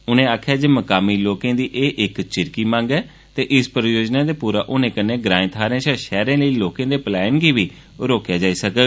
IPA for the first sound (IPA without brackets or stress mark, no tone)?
ʊ